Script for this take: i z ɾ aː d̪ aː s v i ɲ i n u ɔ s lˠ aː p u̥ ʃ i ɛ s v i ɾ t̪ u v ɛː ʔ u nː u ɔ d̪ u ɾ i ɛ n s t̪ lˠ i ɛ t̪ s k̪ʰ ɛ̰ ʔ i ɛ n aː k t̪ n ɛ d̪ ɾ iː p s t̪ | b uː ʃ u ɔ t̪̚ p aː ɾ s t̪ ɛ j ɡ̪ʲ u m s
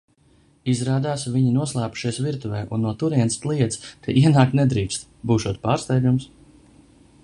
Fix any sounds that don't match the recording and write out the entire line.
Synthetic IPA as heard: i z ɾ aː d̪ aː s v i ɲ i n u ɔ s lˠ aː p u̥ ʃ i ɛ s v i ɾ t̪ u v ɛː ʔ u nː u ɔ t̪ u ɾ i ɛ n s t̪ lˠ i ɛ t̪ s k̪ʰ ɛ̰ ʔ i ɛ n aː k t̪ n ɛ d̪ ɾ iː k s t̪ | b uː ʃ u ɔ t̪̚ p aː ɾ s t̪ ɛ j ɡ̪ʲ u m s